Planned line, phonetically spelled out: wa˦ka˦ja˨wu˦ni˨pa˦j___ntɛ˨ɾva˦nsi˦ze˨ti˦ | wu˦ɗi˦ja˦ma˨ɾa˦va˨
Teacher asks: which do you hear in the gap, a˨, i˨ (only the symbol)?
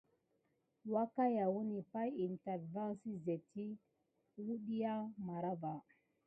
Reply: i˨